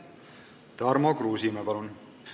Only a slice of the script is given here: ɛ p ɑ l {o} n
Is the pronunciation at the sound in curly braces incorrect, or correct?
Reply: incorrect